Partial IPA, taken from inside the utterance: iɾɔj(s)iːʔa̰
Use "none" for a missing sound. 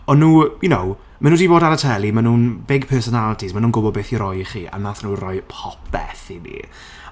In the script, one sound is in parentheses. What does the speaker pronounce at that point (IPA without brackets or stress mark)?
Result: χ